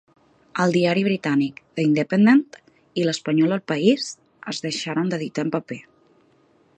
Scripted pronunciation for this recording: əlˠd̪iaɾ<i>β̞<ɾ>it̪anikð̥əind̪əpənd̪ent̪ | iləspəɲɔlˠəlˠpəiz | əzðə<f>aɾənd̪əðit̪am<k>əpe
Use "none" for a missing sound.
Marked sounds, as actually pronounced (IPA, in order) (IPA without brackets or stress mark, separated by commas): i, ɾ, ʃ, p